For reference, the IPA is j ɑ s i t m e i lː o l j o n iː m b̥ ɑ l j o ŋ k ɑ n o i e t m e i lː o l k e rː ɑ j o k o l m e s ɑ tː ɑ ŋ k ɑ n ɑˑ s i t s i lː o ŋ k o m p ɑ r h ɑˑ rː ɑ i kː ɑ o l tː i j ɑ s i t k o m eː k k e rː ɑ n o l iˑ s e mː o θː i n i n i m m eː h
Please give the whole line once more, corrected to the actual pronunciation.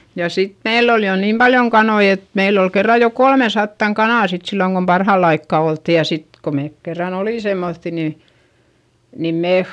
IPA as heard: j ɑ s i t m e i lː o l j o n iː m b̥ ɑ l j o ŋ k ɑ n o i e t m e i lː o l k e rː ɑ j o k o l m e s ɑ tː ɑ ŋ k ɑ n ɑˑ s i t s i lː o ŋ k o m p ɑ r h ɑˑ lː ɑ i kː ɑ o l tː i j ɑ s i t k o m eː k k e rː ɑ n o l iˑ s e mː o θː i n i n i m m eː h